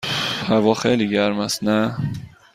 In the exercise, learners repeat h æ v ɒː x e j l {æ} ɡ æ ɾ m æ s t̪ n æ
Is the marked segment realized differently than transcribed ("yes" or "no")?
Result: yes